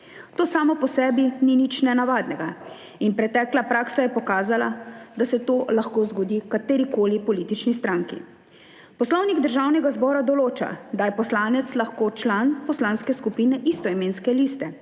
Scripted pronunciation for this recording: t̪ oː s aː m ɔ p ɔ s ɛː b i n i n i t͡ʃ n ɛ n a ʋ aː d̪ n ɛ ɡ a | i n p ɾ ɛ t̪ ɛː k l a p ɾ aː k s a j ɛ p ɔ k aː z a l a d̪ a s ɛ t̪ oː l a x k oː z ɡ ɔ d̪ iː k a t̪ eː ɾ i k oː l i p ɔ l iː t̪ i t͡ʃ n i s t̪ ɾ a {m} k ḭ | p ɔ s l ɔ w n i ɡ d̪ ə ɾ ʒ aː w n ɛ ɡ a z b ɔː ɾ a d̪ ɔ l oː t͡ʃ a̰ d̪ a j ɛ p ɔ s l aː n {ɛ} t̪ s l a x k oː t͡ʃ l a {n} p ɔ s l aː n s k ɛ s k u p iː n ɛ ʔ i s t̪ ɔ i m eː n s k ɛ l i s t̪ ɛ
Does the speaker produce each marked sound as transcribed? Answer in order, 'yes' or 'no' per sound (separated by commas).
no, yes, yes